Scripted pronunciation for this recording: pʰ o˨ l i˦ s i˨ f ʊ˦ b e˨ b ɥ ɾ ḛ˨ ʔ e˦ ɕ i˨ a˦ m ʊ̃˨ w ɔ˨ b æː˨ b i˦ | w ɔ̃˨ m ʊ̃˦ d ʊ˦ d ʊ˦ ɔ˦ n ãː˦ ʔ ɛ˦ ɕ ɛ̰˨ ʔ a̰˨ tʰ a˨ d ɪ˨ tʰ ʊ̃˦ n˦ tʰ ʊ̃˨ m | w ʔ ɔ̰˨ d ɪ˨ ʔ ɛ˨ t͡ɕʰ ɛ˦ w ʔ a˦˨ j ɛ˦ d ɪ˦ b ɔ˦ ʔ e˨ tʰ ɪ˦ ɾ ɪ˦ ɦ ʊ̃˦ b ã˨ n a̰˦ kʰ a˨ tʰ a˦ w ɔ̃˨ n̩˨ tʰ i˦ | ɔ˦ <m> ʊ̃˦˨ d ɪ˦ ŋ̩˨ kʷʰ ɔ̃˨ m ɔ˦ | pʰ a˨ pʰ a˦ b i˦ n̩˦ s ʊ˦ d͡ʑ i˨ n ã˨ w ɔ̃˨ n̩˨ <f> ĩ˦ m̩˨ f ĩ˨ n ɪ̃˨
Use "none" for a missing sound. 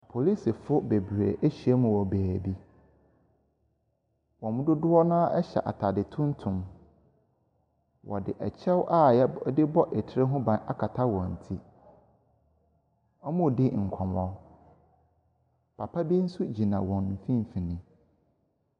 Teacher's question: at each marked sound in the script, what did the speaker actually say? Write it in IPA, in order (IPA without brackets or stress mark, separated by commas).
m, f